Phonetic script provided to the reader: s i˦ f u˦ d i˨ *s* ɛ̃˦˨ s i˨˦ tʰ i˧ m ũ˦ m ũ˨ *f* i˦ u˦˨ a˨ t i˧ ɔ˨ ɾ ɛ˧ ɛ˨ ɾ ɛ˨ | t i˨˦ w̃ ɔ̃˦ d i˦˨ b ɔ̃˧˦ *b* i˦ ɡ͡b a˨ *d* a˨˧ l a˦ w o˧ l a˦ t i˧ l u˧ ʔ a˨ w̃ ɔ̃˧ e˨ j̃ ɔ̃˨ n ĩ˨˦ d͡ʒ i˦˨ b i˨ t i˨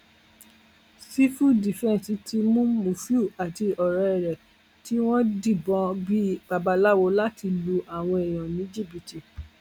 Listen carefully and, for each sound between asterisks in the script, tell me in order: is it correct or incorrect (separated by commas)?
incorrect, correct, correct, incorrect